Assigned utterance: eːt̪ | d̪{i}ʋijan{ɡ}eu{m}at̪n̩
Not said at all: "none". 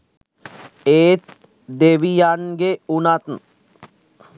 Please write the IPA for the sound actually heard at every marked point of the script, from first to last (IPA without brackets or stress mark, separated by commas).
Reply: e, ɡ, n